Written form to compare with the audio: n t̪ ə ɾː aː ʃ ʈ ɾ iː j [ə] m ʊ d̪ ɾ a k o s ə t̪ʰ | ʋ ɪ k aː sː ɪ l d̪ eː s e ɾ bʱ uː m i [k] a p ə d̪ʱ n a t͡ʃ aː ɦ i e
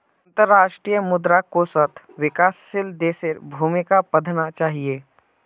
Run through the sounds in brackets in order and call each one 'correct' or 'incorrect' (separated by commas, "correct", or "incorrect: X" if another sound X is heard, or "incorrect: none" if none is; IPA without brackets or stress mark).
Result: correct, correct